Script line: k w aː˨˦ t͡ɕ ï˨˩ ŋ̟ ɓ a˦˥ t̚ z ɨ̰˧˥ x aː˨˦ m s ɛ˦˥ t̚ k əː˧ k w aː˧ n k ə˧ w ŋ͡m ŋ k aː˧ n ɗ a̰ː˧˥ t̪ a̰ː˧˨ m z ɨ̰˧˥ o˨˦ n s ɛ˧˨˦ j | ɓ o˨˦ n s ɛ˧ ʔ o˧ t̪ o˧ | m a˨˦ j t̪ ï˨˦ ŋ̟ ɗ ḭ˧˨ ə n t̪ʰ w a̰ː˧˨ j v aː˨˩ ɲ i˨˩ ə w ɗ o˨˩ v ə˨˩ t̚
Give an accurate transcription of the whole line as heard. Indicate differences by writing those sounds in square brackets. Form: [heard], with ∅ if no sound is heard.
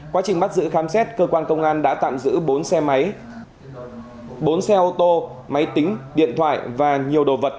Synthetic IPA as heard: k w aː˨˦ t͡ɕ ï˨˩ ŋ̟ ɓ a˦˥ t̚ z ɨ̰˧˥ x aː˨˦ m s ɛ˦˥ t̚ k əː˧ k w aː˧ n k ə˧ w ŋ͡m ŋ [ʔ] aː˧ n ɗ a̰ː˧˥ t̪ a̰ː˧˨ m z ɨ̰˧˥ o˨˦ n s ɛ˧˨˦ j | ɓ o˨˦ n s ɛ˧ ʔ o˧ t̪ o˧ | m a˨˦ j t̪ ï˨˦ ŋ̟ ɗ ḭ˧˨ ə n t̪ʰ w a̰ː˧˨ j v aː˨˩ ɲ i˨˩ ə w ɗ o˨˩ v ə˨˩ t̚